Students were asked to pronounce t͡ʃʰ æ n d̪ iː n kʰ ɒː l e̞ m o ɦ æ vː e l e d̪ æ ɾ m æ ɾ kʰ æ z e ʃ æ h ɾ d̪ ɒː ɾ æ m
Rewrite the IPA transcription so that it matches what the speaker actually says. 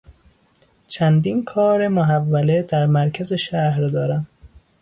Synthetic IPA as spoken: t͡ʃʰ æ n d̪ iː n kʰ ɒː ɾ e̞ m o ɦ æ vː æ l e d̪ æ ɾ m æ ɾ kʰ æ z e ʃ æ h ɾ d̪ ɒː ɾ æ m